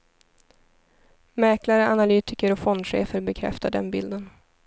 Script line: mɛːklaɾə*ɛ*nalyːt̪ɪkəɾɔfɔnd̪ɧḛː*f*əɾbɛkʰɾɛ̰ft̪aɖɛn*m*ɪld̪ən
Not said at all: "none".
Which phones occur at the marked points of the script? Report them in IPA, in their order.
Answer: a, f, b

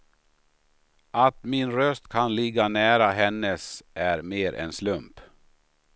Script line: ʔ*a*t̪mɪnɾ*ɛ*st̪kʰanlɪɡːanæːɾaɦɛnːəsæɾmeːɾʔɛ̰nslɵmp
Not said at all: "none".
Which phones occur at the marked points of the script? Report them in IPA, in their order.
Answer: a, œ

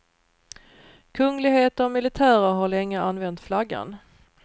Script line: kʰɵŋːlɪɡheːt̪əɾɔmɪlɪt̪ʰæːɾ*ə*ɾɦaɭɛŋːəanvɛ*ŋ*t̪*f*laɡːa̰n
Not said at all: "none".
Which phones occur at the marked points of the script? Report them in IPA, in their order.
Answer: ə, n, f

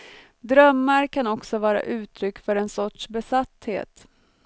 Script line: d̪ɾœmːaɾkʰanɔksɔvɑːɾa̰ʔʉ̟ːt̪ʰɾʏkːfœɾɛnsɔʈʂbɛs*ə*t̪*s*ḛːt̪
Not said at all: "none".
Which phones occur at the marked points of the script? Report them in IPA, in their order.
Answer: a, h

